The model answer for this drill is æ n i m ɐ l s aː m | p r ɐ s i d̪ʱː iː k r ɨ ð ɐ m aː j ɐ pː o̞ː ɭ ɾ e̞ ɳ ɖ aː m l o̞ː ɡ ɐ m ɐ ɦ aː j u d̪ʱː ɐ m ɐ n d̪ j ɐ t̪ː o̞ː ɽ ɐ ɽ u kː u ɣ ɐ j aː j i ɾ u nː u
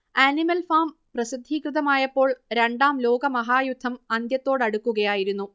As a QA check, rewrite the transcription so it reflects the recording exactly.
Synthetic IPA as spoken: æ n i m ɐ l f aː m | p r ɐ s i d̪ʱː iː k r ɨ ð ɐ m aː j ɐ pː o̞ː ɭ ɾ e̞ ɳ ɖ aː m l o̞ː ɡ ɐ m ɐ ɦ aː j u d̪ʱː ɐ m ɐ n d̪ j ɐ t̪ː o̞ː ɽ ɐ ɽ u kː u ɣ ɐ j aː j i ɾ u nː u